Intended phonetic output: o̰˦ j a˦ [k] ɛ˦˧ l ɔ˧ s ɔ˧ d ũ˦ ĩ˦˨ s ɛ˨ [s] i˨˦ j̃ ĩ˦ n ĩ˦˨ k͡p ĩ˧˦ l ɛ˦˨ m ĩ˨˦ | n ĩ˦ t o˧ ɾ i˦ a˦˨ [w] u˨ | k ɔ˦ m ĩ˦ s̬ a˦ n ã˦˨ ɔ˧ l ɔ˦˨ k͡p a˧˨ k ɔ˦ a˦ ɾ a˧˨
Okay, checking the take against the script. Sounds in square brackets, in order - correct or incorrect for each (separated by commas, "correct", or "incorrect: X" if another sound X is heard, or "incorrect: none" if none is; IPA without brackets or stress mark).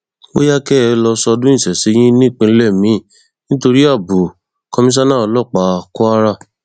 correct, correct, incorrect: b